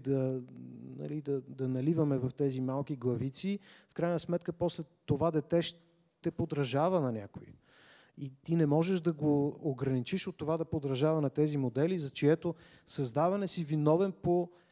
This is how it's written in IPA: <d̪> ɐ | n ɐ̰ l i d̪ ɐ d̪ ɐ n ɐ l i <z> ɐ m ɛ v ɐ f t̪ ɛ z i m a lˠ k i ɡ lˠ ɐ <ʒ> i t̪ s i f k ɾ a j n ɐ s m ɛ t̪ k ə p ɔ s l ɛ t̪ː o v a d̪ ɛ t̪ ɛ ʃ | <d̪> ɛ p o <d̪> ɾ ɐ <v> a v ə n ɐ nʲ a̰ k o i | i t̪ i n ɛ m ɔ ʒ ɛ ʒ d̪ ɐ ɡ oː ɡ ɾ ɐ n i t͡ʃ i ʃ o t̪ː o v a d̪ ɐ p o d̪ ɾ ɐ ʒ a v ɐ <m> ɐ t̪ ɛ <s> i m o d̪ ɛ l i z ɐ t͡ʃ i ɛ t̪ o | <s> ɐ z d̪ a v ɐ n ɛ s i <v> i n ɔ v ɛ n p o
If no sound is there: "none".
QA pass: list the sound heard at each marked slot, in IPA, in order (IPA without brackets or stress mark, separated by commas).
d̪, v, v, t̪, d̪, ʒ, n, z, s, v